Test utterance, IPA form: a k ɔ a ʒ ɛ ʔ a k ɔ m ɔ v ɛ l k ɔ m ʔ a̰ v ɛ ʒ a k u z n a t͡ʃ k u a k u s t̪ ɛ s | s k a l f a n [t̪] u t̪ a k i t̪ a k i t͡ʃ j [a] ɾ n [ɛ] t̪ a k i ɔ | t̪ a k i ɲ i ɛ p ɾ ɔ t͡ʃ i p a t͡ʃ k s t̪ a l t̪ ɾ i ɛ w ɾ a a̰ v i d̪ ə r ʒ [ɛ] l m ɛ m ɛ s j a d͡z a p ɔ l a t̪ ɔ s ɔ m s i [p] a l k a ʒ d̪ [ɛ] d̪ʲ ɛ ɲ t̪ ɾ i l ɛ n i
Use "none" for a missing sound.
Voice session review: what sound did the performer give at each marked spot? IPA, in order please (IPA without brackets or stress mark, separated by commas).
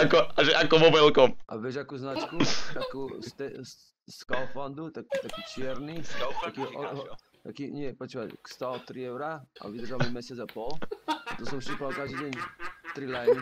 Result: d̪, ɛ, i, a, p, i